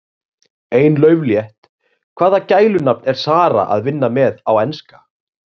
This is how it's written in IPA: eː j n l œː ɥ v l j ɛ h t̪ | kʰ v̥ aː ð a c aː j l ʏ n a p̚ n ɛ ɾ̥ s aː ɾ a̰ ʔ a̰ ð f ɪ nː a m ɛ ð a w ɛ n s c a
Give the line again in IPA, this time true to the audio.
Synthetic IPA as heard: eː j n l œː ɥ v l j ɛ h t̪ | kʰ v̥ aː ð a c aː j l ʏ n a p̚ n ɛ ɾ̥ s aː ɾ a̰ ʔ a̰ ð v ɪ nː a m ɛ ð a w ɛ n s k a